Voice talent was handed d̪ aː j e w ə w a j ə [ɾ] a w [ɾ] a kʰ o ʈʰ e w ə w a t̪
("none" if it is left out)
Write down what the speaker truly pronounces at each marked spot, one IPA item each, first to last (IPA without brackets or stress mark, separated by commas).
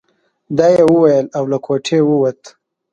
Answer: l, l